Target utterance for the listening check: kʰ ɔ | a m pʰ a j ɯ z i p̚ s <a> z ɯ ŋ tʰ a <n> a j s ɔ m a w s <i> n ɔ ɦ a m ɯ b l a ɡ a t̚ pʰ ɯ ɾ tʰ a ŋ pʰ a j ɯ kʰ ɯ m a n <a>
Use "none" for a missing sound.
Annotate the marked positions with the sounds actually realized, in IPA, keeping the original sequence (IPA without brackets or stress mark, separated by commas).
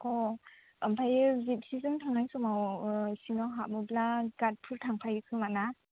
i, ŋ, i, a